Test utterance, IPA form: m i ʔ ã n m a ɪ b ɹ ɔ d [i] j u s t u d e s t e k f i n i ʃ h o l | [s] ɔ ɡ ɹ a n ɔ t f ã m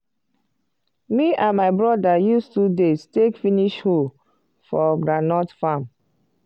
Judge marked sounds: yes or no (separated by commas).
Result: no, no